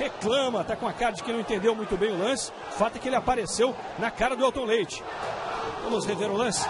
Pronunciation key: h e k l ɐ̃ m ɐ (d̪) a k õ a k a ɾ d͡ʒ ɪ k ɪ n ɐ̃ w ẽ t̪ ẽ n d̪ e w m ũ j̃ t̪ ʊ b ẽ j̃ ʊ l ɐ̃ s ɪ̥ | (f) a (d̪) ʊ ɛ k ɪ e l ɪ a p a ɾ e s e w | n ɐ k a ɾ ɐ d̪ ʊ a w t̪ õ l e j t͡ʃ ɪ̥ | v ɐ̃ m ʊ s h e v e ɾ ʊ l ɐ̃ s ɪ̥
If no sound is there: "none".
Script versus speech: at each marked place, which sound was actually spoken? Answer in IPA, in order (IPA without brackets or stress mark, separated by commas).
t̪, f, t̪